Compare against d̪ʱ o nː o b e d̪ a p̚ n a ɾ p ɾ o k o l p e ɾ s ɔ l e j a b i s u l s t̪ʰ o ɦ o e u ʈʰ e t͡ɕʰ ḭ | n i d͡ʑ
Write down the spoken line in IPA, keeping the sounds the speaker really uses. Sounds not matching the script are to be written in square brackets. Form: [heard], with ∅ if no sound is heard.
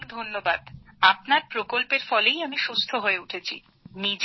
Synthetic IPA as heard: d̪ʱ o nː o b [a] d̪ a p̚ n a ɾ p ɾ o k o l p e ɾ [f] ɔ l e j a [m] i [ʃ] u [∅] s t̪ʰ o ɦ o e u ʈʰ e t͡ɕʰ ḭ | n i d͡ʑ